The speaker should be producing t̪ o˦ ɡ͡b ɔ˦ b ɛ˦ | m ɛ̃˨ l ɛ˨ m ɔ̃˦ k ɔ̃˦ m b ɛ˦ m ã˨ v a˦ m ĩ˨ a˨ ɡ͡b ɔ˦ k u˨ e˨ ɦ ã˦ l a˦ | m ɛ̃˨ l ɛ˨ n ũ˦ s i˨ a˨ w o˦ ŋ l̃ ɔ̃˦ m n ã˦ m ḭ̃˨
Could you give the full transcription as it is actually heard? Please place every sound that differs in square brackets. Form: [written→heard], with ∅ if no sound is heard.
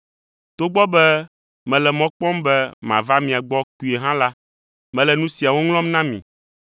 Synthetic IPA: t̪ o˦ ɡ͡b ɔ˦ b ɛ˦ | m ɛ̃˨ l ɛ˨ m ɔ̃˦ [k→k͡p] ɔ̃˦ m b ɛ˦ m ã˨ v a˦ m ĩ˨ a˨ ɡ͡b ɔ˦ k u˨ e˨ ɦ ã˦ l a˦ | m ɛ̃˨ l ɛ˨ n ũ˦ s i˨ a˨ w o˦ ŋ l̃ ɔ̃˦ m n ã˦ m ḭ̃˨